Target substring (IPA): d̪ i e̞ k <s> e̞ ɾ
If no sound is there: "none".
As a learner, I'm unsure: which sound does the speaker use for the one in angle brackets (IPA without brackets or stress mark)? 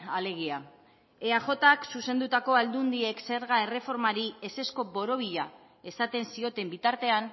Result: s